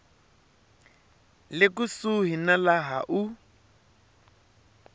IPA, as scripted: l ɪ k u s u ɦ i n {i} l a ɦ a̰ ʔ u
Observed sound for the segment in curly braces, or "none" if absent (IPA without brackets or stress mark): a